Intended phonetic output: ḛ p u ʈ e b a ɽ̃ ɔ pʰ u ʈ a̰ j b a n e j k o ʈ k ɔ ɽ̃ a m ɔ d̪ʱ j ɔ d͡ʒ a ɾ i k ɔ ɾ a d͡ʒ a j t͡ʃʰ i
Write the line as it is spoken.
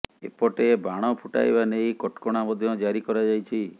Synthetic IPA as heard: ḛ p ɔ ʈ e b a ɽ̃ ɔ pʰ u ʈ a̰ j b a n e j k ɔ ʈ k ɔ ɽ̃ a m ɔ d̪ʱ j ɔ d͡ʒ a ɾ i k ɔ ɾ a d͡ʒ a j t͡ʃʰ i

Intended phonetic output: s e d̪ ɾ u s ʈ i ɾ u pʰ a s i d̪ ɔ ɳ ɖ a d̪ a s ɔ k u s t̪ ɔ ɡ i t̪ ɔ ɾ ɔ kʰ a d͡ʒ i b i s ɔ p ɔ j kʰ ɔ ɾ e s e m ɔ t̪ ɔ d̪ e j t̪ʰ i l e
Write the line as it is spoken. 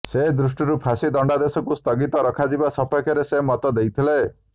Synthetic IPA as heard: s e d̪ ɾ u s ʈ i ɾ u pʰ a s i d̪ ɔ ɳ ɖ a d̪ e s ɔ k u s t̪ ɔ ɡ i t̪ ɔ ɾ ɔ kʰ a d͡ʒ i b a s ɔ p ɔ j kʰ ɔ ɾ e s e m ɔ t̪ ɔ d̪ e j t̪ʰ i l e

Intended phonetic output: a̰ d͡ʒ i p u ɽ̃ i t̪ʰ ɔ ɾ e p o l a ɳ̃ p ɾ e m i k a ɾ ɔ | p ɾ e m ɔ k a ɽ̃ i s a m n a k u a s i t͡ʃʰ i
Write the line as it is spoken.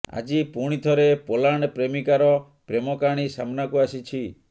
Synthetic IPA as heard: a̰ d͡ʒ i p u ɽ̃ i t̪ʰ ɔ ɾ e p o l a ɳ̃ p ɾ e m i k a ɾ ɔ | p ɾ e m ɔ k a ɽ̃ i s a m n a k u a s i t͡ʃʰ i

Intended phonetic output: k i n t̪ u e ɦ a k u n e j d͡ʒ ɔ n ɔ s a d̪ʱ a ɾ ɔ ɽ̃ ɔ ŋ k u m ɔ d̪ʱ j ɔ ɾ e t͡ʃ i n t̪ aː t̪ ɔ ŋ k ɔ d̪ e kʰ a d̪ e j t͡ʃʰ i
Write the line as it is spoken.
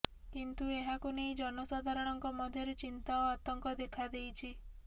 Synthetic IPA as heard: k i n t̪ u e ɦ a k u n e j d͡ʒ ɔ n ɔ s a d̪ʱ a ɾ ɔ ɽ̃ ɔ ŋ k ɔ m ɔ d̪ʱ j ɔ ɾ e t͡ʃ i n t̪ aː t̪ ɔ ŋ k ɔ d̪ e kʰ a d̪ e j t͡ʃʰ i

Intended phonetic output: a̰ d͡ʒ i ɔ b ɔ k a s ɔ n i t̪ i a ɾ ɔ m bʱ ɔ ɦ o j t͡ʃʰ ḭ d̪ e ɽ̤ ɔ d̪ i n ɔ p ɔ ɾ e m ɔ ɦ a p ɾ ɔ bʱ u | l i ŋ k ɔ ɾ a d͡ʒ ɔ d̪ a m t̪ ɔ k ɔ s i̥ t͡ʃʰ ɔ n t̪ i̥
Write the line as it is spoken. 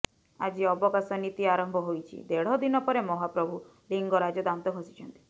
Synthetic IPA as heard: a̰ d͡ʒ i ɔ b ɔ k a s ɔ n i t̪ i a ɾ ɔ m bʱ ɔ ɦ o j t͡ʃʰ ḭ d̪ e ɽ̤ ɔ d̪ i n ɔ p ɔ ɾ e m ɔ ɦ a p ɾ ɔ bʱ u | l i ŋ ɡ ɔ ɾ a d͡ʒ ɔ d̪ a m t̪ ɔ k ɔ s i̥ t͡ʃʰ ɔ n t̪ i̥

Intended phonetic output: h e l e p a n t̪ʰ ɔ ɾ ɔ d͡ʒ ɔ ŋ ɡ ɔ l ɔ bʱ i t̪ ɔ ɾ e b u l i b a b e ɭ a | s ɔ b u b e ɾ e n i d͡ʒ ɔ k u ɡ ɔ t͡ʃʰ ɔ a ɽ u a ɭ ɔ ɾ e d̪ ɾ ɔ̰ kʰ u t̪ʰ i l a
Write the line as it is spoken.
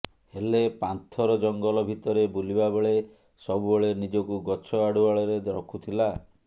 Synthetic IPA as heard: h e l e p a n t̪ʰ ɔ ɾ ɔ d͡ʒ ɔ ŋ ɡ ɔ l ɔ bʱ i t̪ ɔ ɾ e b u l i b a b e ɭ e | s ɔ b u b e ɭ e n i d͡ʒ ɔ k u ɡ ɔ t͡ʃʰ ɔ a ɽ u a ɭ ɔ ɾ e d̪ ɾ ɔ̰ kʰ u t̪ʰ i l a

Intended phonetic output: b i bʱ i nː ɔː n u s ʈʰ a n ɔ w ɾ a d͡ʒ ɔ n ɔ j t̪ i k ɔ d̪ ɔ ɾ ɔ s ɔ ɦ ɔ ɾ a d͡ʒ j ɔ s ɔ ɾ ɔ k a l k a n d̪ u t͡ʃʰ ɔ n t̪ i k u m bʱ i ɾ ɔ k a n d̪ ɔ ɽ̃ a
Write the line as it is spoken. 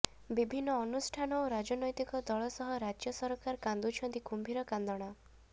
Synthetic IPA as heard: b i bʱ i nː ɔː n u s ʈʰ a n ɔ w ɾ a d͡ʒ ɔ n ɔ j t̪ i k ɔ d̪ ɔ ɭ ɔ s ɔ ɦ ɔ ɾ a d͡ʒ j ɔ s ɔ ɾ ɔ k a ɾ k a n d̪ u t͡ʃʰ ɔ n t̪ i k u m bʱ i ɾ ɔ k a n d̪ ɔ ɽ̃ a

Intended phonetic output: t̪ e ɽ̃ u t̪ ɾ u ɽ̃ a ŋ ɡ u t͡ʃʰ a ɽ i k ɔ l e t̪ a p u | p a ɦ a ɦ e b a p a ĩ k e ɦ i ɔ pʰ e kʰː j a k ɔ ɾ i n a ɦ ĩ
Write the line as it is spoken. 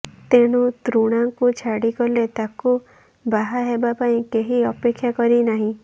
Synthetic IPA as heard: t̪ e ɽ̃ u t̪ ɾ u ɽ̃ a ŋ k u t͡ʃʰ a ɽ i k ɔ l e t̪ a k u | b a ɦ a ɦ e b a p a ĩ k e ɦ i ɔ p e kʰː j a k ɔ ɾ i n a ɦ ĩ

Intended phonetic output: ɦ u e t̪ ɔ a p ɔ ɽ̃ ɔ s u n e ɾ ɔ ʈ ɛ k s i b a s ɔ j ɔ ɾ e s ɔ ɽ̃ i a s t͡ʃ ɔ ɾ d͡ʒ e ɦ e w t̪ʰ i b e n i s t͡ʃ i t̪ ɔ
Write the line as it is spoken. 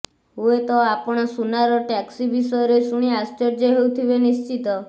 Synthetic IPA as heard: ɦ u e t̪ ɔ a p ɔ ɽ̃ ɔ s u n a ɾ ɔ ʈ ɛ k s i b i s ɔ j ɔ ɾ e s u ɽ̃ i a s t͡ʃ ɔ ɾ d͡ʒ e ɦ e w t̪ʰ i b e n i s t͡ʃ i t̪ ɔ

